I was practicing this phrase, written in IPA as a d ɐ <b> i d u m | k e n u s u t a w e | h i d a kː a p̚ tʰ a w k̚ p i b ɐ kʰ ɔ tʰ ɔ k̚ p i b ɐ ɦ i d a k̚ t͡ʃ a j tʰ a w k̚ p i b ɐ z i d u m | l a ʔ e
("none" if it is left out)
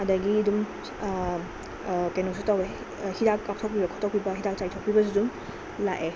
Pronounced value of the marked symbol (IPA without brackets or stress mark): ɡ